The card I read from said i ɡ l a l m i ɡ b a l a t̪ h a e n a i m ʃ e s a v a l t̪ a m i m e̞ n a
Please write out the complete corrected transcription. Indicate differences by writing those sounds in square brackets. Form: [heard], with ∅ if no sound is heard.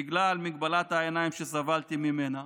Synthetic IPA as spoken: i ɡ l a l m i ɡ b a l a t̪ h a e n a i m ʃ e s a v a l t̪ [i] m i m e̞ n a